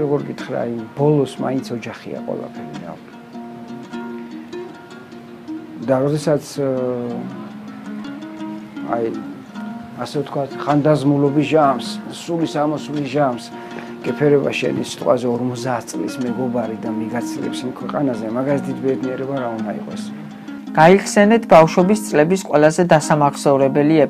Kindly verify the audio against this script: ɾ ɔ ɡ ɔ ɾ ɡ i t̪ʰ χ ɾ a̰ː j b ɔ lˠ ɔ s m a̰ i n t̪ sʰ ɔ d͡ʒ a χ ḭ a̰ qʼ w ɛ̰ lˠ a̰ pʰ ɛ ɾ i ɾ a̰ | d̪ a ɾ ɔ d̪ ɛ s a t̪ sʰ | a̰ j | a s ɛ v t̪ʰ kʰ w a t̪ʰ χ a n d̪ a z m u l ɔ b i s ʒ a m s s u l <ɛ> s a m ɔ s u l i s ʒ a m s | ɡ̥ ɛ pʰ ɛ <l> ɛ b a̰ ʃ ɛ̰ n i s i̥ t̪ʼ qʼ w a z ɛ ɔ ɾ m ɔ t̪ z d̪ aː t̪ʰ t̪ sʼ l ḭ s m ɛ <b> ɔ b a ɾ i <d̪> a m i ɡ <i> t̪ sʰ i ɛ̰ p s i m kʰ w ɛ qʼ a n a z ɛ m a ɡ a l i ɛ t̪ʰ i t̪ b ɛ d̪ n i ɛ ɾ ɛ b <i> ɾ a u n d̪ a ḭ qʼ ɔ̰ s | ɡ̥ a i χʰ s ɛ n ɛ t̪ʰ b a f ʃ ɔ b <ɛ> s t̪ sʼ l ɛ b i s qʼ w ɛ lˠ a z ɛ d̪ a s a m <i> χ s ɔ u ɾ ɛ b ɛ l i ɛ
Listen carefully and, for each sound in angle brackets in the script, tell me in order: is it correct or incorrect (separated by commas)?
incorrect, incorrect, incorrect, correct, incorrect, incorrect, incorrect, incorrect